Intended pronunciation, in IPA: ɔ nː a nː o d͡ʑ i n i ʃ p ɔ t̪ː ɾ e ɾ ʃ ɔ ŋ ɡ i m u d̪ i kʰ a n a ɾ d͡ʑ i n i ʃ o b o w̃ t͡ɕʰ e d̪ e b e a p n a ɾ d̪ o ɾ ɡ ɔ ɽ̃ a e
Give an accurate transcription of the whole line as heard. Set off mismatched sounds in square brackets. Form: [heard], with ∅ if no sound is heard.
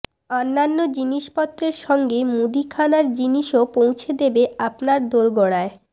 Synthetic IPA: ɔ nː a nː o d͡ʑ i n i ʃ p ɔ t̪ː ɾ e ɾ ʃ ɔ ŋ ɡ [e] m u d̪ i kʰ a n a ɾ d͡ʑ i n i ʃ o [p] o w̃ t͡ɕʰ e d̪ e b e a p n a ɾ d̪ o ɾ ɡ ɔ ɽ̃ a e

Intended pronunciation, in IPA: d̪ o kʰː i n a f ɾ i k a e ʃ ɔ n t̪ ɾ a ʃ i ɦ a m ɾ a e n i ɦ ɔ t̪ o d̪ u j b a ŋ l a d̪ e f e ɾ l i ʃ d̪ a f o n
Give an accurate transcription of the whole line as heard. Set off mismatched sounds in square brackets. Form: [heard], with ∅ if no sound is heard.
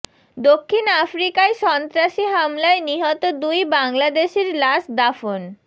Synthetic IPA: d̪ o kʰː i n a f ɾ i k a e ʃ ɔ n t̪ ɾ a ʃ i ɦ a m [l] a e n i ɦ ɔ t̪ o d̪ u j b a ŋ l a d̪ e [ʃ] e ɾ l [a] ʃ d̪ a f o n

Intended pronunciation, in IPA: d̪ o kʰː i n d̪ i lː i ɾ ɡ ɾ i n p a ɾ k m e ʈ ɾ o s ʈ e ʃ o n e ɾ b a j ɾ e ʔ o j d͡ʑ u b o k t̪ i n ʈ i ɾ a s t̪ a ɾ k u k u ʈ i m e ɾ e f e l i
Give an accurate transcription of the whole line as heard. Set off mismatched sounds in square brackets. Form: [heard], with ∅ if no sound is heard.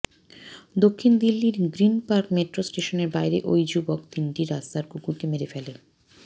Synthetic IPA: d̪ o kʰː i n d̪ i lː i ɾ ɡ ɾ i n p a ɾ k m e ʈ ɾ o s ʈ e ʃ o n e ɾ b a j ɾ e ʔ o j d͡ʑ u b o k t̪ i n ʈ i ɾ a s t̪ a ɾ k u k u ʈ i m e ɾ e f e l [e]

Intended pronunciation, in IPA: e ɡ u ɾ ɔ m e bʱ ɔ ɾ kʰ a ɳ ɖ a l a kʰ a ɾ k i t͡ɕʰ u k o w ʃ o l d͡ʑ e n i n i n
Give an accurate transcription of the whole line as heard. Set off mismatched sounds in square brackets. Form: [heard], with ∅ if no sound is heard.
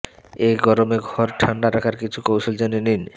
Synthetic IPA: e ɡ [ɔ] ɾ [o] m e [ɡʱ] ɔ ɾ [ʈʰ] a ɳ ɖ a [ɾ] a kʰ a ɾ k i t͡ɕʰ u k o w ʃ o l d͡ʑ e n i n i n

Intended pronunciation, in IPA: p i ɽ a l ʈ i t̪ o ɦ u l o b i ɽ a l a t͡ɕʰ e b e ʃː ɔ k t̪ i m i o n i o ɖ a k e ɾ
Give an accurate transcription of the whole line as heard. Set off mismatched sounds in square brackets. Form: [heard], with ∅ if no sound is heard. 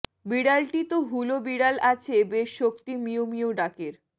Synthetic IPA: [b] i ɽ a l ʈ i t̪ o ɦ u l o b i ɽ a l a t͡ɕʰ e b e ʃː [o] k t̪ i m i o [m] i o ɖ a k e ɾ

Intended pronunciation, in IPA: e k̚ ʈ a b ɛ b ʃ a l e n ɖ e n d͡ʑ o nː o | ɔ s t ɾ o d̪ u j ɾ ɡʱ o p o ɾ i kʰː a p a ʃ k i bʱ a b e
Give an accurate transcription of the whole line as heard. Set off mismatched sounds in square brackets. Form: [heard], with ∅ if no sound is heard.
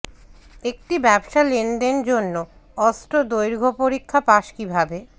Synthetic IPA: e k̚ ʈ [i] b ɛ b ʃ a l e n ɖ e n d͡ʑ o nː o | ɔ s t ɾ o d̪ [o] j ɾ ɡʱ o p o ɾ i kʰː a p a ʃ k i bʱ a b e

